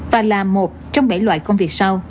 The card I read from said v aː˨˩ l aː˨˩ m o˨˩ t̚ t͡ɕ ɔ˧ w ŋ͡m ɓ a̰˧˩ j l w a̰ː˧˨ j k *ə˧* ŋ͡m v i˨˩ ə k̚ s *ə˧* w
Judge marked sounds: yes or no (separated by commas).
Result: yes, no